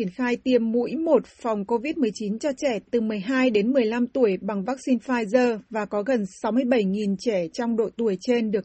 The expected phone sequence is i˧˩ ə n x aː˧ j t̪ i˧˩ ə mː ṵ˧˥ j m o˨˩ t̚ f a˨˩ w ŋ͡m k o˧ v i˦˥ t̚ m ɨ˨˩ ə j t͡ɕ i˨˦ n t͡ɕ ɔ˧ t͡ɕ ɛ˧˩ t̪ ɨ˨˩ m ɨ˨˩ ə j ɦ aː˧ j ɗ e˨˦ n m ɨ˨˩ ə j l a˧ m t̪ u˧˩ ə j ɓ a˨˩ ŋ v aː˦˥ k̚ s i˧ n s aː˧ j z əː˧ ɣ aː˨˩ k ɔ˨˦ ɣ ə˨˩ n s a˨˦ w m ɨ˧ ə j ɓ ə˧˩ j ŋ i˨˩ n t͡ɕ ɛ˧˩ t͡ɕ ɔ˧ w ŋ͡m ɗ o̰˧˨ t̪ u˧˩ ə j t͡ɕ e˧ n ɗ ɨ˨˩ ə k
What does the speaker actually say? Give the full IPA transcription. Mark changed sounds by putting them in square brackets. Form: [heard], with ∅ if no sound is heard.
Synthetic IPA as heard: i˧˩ ə n x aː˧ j t̪ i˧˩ ə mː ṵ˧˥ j m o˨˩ t̚ f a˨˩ w ŋ͡m k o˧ v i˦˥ t̚ m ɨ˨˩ ə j t͡ɕ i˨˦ n t͡ɕ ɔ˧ t͡ɕ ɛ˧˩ t̪ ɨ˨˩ m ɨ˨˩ ə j ɦ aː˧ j ɗ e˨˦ n m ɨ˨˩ ə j l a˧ m t̪ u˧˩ ə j ɓ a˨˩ ŋ v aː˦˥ k̚ s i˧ n [f] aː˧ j z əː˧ [v] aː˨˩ k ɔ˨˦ ɣ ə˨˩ n s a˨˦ w m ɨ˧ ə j ɓ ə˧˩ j ŋ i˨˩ n t͡ɕ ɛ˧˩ t͡ɕ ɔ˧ w ŋ͡m ɗ o̰˧˨ t̪ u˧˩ ə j t͡ɕ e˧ n ɗ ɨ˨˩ ə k